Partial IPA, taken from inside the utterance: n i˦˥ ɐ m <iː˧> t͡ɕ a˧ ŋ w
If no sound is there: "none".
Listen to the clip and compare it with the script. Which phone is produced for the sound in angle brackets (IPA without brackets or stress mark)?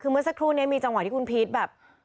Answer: iː˧